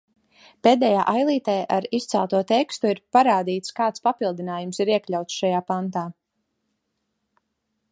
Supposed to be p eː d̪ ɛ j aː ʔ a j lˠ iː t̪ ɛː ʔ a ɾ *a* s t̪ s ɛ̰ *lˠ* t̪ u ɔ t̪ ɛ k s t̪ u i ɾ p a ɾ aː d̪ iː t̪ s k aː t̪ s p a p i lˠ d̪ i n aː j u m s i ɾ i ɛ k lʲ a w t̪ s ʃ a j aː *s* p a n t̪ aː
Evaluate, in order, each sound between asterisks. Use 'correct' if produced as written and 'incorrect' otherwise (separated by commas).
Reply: incorrect, correct, incorrect